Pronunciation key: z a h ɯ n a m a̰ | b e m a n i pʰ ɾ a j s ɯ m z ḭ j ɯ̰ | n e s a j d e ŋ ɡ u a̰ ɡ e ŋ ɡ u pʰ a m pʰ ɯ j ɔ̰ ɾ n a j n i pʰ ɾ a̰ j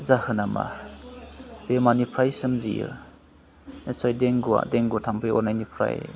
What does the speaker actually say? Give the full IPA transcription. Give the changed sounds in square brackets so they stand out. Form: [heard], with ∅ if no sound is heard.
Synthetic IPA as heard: z a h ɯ n a m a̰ | b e m a n i pʰ ɾ a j s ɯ m z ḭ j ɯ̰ | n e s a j d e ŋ ɡ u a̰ [d] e ŋ ɡ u [tʰ] a m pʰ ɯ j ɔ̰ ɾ n a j n i pʰ ɾ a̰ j